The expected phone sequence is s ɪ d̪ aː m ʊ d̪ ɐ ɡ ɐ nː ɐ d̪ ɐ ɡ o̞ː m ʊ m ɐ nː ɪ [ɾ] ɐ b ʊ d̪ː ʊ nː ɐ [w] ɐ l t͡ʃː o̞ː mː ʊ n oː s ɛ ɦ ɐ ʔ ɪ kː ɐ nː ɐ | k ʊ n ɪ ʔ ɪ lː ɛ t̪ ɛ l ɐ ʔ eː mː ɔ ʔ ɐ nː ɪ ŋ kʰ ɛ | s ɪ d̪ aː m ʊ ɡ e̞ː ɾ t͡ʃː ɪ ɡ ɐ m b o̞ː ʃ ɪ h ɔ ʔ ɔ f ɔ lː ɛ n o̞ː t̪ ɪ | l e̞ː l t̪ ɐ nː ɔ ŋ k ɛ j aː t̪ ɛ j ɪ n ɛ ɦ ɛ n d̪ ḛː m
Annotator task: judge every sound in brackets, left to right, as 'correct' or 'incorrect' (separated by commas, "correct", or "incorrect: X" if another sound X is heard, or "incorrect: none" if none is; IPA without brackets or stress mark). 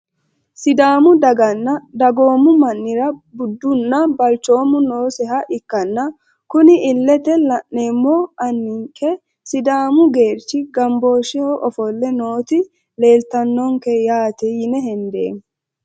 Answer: correct, incorrect: b